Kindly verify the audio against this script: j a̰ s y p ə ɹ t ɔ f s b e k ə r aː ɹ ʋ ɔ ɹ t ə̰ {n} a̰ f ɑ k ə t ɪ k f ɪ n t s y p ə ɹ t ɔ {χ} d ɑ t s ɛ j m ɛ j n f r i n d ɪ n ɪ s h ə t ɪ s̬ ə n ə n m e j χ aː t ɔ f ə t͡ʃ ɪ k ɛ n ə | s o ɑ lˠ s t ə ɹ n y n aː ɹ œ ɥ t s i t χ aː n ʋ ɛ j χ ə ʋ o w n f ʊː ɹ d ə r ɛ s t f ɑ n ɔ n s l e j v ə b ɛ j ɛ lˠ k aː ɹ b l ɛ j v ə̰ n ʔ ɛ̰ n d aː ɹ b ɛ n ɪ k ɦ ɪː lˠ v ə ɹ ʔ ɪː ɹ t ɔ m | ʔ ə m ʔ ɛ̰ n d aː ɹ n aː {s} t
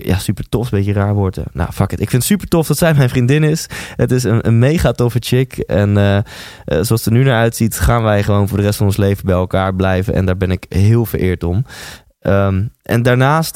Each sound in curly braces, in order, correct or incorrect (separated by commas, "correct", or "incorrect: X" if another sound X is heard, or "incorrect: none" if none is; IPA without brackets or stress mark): correct, incorrect: f, correct